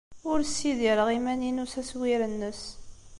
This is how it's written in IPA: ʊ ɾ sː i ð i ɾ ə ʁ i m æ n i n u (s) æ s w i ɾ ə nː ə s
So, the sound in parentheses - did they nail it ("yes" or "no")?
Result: yes